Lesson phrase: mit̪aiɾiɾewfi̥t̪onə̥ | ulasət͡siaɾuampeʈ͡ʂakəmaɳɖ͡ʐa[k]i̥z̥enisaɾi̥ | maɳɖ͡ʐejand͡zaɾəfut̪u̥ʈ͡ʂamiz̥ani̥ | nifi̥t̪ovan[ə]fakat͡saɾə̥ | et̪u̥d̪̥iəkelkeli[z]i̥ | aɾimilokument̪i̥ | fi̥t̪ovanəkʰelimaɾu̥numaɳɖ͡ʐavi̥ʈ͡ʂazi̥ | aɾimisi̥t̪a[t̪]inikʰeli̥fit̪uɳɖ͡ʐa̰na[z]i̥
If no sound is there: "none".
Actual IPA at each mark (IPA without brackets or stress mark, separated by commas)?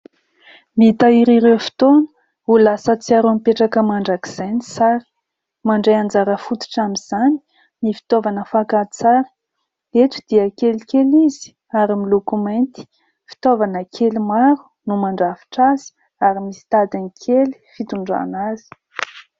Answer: k, ə, z, d̪, z